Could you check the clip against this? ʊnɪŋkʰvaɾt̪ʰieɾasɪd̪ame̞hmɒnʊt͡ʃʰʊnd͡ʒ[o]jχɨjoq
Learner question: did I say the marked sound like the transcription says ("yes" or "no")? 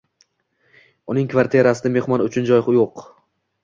no